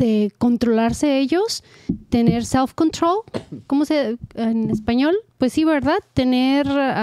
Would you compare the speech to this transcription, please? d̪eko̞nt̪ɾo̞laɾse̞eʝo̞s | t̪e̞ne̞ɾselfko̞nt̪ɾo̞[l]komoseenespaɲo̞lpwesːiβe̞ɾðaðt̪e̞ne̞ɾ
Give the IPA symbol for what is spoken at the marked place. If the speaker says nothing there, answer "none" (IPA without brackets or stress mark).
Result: l